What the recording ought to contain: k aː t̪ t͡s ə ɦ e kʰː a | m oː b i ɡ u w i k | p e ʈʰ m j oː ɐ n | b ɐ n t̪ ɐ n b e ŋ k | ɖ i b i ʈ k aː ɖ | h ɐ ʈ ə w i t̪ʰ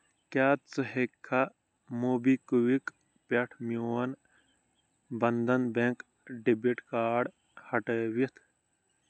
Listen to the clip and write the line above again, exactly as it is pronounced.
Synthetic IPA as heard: k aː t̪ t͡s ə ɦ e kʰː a | m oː b i k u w i k | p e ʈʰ m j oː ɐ n | b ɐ n d̪ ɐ n b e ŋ k | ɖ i b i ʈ k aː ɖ | h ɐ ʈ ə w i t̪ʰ